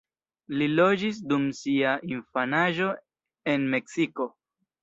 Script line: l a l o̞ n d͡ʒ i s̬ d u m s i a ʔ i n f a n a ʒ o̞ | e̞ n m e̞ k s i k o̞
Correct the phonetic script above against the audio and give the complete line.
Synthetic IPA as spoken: l i l o̞ d͡ʒ i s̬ d u m s i a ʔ i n f a n a ʒ o̞ | e̞ n m e̞ k s i k o̞